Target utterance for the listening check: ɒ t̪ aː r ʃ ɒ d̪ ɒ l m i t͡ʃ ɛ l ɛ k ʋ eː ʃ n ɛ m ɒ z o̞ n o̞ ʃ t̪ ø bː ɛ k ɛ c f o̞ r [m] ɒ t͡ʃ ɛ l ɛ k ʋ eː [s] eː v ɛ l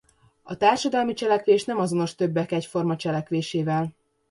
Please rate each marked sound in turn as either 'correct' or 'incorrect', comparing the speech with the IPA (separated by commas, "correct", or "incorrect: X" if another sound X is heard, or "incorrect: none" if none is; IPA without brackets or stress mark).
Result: correct, incorrect: ʃ